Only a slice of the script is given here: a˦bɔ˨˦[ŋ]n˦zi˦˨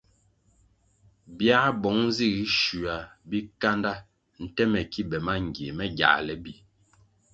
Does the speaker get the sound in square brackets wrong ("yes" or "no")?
no